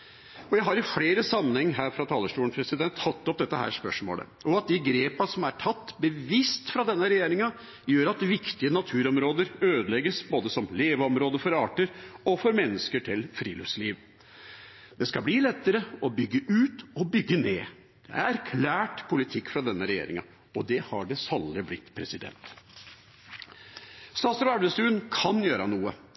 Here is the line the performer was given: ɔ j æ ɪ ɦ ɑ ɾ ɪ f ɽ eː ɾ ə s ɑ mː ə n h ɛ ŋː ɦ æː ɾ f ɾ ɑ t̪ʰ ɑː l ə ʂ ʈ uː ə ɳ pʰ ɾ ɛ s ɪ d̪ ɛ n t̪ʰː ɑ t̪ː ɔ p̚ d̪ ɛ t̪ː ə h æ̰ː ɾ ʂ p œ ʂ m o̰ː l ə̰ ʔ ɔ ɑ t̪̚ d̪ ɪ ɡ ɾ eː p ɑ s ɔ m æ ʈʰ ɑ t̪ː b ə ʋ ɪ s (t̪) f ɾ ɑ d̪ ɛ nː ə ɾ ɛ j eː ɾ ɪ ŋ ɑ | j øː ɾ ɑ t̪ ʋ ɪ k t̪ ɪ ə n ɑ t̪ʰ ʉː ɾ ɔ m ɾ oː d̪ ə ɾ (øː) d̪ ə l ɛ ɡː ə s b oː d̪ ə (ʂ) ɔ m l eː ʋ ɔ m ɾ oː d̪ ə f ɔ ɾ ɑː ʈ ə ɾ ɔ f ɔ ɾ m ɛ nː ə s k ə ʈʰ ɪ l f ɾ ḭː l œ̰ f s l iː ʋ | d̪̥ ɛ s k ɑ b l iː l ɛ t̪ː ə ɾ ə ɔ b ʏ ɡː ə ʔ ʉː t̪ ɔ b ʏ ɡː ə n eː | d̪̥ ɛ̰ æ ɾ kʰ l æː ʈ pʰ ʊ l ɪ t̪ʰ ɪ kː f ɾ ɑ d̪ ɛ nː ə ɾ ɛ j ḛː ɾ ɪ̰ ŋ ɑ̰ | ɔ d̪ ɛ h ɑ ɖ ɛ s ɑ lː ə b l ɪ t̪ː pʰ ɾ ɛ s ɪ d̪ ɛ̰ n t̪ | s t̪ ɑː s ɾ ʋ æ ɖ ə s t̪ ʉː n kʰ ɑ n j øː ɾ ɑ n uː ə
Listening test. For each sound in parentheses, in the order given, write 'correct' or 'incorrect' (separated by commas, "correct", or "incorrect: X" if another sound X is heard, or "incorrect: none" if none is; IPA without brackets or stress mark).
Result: correct, correct, incorrect: s